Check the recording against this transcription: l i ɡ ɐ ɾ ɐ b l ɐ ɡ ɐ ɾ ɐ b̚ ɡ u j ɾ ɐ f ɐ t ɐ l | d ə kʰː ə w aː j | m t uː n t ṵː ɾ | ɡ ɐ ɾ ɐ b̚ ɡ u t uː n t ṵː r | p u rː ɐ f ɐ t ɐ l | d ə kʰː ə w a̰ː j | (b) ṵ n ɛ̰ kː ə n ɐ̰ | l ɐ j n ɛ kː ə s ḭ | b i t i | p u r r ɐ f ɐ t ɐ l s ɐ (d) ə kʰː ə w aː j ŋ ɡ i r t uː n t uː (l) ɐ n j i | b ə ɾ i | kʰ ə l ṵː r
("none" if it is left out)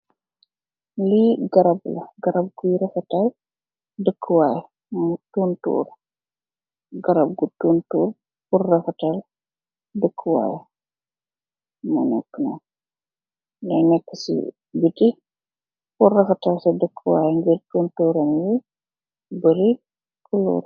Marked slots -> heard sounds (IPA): m, d, ɾ

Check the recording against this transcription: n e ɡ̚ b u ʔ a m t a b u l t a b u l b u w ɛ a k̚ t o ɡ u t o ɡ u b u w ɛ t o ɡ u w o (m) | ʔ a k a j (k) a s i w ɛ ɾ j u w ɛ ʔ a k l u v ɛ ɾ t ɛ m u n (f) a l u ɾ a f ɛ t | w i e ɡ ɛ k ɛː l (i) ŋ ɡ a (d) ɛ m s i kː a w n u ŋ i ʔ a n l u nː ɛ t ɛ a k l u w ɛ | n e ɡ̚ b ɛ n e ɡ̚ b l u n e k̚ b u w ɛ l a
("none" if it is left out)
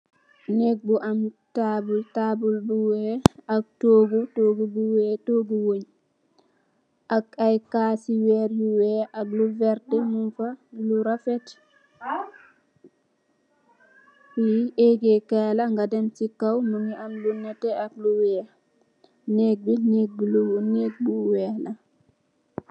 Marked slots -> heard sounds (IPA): ɲ, k, f, a, d

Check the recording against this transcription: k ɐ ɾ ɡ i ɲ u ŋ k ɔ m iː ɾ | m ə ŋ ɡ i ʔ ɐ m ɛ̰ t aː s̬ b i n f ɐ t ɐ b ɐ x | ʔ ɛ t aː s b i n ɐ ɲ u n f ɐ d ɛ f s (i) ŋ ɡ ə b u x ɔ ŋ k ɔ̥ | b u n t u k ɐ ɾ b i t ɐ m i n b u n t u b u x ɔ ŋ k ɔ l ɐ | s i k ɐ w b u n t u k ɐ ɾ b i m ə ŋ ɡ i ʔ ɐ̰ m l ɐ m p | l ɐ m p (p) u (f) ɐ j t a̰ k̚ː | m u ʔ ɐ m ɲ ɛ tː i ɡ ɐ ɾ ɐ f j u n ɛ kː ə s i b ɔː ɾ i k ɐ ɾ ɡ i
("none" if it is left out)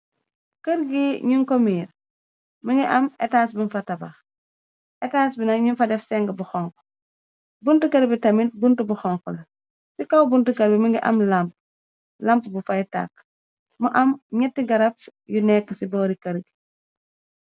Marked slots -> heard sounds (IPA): ɛ, b, f

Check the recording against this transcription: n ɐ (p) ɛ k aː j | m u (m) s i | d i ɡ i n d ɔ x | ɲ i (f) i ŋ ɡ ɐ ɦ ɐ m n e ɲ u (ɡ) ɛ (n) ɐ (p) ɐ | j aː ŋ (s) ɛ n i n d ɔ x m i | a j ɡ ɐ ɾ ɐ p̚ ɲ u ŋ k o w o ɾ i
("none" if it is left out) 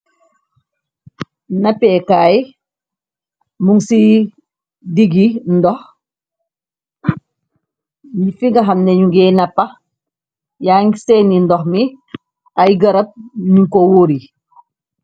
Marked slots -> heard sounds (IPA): p, ŋ, f, ɡ, n, p, s

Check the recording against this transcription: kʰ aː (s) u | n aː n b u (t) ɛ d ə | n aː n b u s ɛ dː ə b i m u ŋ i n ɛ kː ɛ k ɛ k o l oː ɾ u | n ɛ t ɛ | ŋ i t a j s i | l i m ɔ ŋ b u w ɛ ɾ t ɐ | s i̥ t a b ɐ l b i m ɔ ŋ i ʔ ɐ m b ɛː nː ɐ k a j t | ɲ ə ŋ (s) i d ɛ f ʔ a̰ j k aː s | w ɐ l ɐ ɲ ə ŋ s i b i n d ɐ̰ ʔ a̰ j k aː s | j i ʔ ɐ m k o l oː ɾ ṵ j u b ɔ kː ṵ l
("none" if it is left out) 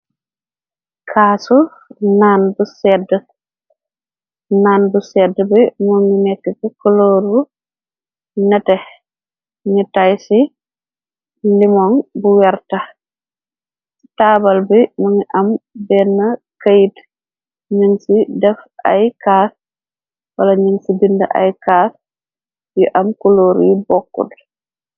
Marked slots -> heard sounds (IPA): s, s, s

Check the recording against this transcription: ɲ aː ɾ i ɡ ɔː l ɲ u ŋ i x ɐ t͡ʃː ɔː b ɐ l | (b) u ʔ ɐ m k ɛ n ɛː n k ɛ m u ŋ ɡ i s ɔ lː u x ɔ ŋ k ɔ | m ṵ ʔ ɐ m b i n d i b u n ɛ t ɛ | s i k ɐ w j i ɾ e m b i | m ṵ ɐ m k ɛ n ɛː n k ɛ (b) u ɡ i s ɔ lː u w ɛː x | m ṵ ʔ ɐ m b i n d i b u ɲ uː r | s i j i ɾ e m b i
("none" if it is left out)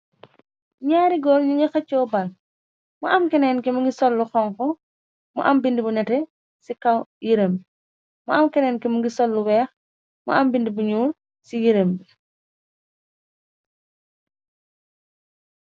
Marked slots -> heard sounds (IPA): m, m

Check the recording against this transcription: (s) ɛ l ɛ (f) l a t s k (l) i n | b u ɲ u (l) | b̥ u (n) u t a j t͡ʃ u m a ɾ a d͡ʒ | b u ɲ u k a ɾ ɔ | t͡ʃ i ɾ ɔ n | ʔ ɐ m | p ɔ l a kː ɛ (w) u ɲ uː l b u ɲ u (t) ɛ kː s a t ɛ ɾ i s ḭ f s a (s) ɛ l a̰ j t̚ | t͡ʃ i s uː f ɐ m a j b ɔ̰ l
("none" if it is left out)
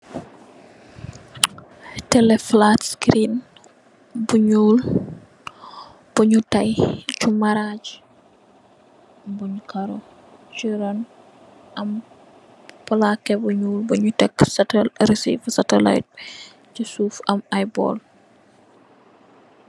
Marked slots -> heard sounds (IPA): t, f, ɾ, l, ɲ, b, t, t

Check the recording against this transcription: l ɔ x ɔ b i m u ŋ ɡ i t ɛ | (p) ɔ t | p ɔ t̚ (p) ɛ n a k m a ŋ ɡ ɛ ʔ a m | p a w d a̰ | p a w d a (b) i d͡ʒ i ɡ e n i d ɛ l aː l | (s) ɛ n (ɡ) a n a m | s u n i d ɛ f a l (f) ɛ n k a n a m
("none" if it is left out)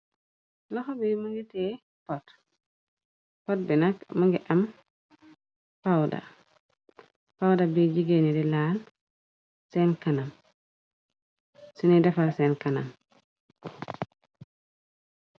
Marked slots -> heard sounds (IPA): p, b, b, s, k, s

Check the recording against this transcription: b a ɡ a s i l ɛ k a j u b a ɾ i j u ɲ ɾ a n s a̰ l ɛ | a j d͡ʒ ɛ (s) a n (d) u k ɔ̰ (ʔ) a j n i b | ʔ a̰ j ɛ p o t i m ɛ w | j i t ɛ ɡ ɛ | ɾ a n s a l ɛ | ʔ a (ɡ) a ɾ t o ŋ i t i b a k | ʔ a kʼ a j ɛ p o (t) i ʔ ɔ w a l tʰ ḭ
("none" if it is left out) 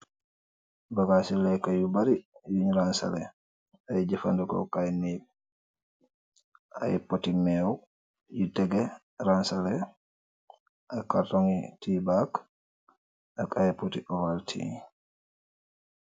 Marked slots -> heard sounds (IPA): f, d, k, k, t

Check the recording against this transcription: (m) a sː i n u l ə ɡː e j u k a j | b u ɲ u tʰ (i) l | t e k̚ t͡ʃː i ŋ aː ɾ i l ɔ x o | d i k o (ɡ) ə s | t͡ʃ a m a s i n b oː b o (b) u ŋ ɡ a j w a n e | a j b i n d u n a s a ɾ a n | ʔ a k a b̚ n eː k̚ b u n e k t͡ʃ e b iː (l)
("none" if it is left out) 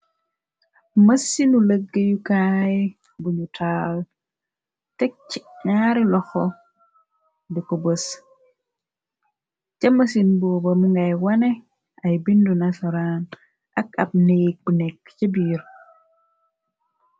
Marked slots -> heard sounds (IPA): m, a, b, m, ɾ

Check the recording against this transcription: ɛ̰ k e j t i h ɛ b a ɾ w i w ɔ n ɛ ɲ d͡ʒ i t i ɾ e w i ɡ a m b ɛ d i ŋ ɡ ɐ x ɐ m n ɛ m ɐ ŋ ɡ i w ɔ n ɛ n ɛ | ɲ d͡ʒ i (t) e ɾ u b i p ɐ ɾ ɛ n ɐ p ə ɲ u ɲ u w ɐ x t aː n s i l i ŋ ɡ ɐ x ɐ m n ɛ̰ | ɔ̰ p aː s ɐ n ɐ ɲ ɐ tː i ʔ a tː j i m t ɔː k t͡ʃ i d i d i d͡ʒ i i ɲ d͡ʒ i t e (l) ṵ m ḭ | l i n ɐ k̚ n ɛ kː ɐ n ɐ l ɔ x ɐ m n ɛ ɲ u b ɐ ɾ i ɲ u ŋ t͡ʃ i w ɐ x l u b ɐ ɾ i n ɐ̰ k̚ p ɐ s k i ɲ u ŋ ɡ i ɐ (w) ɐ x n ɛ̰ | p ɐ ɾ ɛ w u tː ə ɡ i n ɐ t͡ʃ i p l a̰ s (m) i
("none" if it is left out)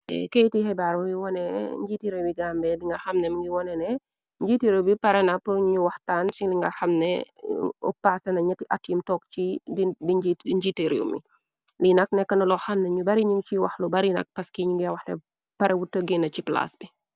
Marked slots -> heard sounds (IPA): t, ɾ, w, b

